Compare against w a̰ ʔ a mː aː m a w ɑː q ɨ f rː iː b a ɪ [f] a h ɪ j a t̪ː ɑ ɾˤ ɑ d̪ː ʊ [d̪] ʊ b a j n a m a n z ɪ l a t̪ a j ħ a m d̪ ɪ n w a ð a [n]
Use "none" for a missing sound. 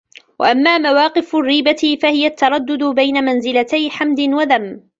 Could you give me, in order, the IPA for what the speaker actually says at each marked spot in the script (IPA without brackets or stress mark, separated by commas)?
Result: f, d̪, m